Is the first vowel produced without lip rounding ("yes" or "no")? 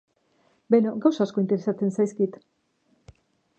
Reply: yes